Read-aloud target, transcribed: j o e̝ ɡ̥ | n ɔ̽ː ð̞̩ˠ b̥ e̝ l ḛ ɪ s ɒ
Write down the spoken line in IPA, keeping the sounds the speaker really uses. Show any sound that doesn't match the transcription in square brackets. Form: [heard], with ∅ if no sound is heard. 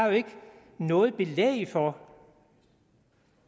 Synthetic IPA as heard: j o e̝ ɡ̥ | n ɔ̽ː ð̞̩ˠ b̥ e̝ l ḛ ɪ [f] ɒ